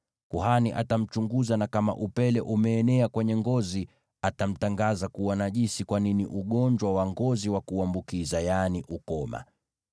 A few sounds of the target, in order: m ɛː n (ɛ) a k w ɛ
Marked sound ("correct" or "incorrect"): correct